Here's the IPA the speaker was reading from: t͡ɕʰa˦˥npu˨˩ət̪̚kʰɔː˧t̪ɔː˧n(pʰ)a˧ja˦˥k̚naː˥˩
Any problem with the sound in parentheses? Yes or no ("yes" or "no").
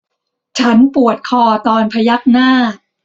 no